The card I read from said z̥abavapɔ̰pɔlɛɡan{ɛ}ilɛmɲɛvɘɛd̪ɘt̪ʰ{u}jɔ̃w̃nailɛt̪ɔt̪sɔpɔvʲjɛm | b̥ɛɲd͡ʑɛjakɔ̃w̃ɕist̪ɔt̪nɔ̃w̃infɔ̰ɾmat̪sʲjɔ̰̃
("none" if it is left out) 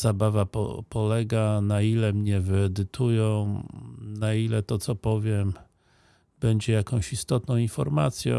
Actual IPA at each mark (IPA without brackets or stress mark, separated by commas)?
a, u